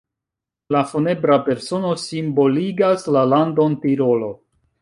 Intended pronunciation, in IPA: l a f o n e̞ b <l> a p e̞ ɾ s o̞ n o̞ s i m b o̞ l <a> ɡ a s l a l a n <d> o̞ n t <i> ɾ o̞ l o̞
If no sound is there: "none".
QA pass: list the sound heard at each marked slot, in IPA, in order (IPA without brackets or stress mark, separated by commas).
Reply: ɾ, i, d, i